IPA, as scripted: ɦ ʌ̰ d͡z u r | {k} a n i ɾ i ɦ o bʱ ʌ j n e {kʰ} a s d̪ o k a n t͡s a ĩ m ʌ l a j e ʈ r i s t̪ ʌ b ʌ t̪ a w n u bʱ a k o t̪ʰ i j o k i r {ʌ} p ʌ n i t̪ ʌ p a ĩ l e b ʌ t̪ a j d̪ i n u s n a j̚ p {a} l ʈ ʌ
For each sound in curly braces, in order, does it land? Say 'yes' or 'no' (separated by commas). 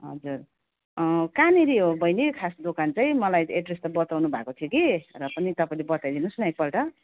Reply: yes, yes, yes, no